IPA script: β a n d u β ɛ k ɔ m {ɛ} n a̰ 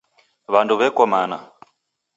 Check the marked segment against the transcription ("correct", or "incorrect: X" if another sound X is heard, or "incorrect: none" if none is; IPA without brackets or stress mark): incorrect: a